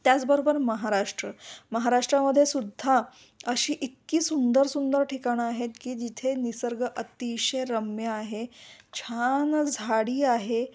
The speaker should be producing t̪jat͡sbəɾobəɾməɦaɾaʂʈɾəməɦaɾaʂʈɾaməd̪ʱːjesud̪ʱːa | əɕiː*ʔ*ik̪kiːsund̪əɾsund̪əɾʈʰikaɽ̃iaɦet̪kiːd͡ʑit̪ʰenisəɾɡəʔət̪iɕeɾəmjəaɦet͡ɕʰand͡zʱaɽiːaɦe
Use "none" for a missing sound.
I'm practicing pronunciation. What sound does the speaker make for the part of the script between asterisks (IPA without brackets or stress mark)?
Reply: ʔ